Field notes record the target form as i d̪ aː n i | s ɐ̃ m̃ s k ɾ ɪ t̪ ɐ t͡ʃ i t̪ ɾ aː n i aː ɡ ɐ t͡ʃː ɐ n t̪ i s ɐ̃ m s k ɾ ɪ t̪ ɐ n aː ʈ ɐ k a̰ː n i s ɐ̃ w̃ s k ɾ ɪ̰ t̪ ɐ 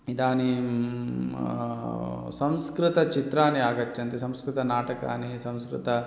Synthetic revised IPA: i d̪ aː n i | s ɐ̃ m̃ s k ɾ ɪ t̪ ɐ t͡ʃ i t̪ ɾ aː n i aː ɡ ɐ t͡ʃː ɐ n t̪ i s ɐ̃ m s k ɾ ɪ t̪ ɐ n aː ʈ ɐ k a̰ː n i s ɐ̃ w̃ s k ɾ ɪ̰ t̪ ɐ